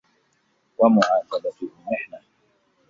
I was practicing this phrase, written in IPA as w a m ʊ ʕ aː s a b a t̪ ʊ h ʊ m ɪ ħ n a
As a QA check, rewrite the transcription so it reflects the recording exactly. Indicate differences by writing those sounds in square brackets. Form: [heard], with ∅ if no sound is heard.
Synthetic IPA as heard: w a m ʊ ʕ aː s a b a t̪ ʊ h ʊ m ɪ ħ n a